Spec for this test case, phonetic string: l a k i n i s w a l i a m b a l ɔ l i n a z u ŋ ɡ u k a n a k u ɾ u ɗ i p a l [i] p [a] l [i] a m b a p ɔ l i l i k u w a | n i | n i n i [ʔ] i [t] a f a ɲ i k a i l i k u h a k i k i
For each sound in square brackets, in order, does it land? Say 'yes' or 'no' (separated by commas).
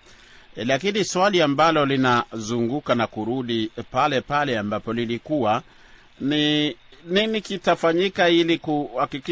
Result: no, yes, no, no, yes